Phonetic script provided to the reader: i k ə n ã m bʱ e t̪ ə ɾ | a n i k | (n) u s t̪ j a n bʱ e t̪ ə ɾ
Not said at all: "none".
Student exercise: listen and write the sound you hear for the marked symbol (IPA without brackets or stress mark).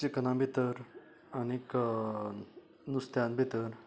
n